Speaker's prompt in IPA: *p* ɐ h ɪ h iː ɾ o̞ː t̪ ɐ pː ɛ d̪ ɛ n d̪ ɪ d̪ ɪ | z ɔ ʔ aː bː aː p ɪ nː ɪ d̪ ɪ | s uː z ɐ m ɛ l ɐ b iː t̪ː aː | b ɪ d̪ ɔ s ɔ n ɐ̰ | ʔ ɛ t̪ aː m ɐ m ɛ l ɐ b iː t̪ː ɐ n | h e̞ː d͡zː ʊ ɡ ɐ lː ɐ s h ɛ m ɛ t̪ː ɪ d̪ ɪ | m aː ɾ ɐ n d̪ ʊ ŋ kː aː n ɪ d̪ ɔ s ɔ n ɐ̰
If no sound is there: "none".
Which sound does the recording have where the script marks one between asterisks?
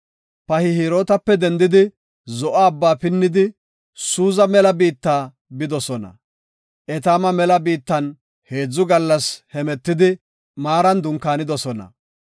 p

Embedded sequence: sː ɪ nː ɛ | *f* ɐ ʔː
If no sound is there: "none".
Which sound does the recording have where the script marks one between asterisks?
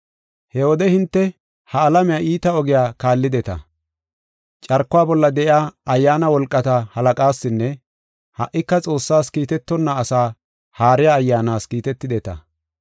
h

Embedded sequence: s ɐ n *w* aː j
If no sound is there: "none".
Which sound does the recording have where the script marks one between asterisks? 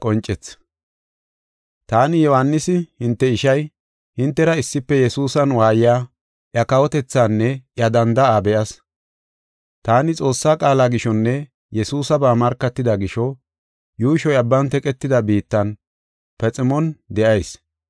w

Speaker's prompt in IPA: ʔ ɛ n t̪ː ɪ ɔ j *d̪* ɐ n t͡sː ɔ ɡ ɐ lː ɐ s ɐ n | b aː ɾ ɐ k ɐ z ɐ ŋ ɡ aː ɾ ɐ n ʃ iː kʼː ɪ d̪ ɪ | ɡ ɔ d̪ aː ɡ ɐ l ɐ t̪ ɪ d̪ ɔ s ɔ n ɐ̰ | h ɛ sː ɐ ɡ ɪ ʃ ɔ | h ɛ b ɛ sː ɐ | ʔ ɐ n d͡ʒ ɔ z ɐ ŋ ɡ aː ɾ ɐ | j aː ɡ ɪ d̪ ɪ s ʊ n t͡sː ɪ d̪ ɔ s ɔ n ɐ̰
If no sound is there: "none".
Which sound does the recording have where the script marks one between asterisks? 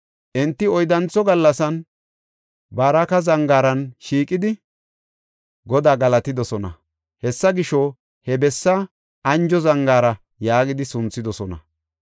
d̪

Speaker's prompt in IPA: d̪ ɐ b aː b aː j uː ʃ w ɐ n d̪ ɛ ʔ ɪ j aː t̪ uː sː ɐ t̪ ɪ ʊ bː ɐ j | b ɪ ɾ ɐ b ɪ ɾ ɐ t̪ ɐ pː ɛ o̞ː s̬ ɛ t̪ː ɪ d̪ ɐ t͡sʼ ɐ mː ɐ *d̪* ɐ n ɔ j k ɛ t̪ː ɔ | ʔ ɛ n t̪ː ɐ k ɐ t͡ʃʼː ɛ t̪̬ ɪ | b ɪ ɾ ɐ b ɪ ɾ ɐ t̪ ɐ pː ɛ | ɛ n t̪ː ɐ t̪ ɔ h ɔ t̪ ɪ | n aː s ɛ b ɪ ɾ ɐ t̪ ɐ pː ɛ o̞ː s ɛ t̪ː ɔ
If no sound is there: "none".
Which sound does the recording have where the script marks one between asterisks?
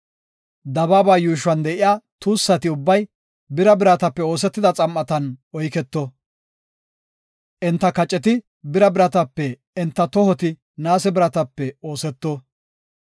t̪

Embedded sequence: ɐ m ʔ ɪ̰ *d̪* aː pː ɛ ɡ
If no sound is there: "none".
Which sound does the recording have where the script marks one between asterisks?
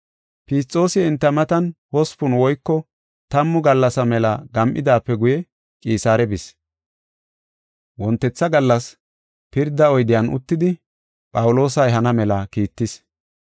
d̪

